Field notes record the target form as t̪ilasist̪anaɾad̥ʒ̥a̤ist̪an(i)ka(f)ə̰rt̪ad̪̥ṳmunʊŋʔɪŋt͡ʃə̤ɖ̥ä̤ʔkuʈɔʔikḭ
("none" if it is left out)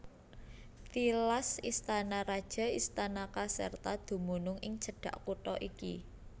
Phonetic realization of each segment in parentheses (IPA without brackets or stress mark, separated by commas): a, s